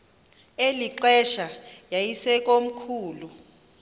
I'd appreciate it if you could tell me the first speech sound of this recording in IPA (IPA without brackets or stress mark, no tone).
e